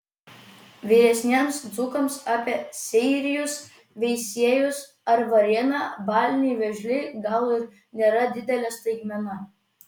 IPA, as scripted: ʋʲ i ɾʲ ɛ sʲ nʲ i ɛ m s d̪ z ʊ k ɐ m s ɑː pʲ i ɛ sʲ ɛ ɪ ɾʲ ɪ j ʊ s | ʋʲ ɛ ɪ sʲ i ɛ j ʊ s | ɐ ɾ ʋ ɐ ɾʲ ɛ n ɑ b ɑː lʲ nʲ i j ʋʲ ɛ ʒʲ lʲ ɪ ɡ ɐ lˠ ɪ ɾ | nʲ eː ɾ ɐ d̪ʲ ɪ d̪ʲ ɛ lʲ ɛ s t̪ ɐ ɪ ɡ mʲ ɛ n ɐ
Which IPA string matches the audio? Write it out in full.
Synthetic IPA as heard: ʋʲ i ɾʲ ɛ sʲ nʲ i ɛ m s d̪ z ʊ k ɐ m s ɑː pʲ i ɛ sʲ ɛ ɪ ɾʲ ɪ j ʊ s | ʋʲ ɛ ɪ sʲ i ɛ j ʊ s | ɐ ɾ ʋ ɐ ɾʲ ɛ n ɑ b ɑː lʲ nʲ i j ʋʲ ɛ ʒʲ lʲ ɪ ɡ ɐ lˠ ɪ ɾ | nʲ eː ɾ ɐ d̪ʲ ɪ d̪ʲ ɛ lʲ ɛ s t̪ ɐ ɪ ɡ mʲ ɛ n ɐ